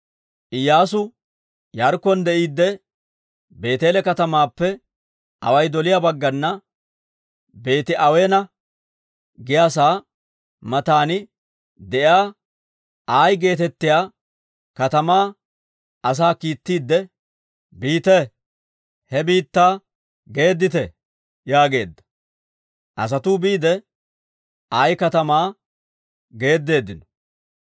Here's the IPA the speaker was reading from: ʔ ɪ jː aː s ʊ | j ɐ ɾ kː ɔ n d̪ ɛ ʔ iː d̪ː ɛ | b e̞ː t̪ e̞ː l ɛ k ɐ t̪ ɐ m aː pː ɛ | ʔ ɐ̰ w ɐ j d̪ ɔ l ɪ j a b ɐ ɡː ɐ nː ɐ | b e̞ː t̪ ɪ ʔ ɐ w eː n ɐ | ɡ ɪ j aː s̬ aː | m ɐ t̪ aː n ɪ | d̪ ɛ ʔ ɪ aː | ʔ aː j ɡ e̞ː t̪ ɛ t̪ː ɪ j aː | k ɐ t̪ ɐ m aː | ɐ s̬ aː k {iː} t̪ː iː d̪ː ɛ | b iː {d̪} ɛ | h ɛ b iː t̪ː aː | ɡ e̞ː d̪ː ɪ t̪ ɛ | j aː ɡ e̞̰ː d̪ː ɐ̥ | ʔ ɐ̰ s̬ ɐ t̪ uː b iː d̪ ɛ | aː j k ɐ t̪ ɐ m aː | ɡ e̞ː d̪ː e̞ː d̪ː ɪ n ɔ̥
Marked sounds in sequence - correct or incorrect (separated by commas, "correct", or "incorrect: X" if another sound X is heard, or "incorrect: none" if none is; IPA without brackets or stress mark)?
correct, incorrect: t̪